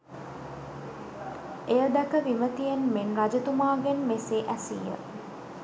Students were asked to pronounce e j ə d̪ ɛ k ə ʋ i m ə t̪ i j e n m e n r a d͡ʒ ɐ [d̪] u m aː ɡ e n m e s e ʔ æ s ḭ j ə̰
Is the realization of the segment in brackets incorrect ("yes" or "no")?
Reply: yes